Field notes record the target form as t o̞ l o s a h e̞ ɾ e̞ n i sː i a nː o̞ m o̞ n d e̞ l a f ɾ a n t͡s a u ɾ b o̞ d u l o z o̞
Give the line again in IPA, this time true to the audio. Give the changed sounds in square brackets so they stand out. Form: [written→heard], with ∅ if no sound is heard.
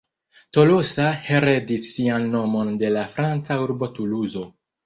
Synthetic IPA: t o̞ l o s a h e̞ ɾ e̞ [n→d] i sː i a nː o̞ m o̞ n d e̞ l a f ɾ a n t͡s a u ɾ b o̞ [d→t] u l [o→u] z o̞